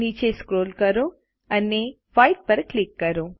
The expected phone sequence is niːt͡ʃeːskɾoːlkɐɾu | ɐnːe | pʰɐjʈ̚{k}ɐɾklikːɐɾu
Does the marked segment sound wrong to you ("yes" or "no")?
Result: yes